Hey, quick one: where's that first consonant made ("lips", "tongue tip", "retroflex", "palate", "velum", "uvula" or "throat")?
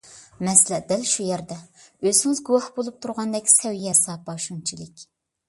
lips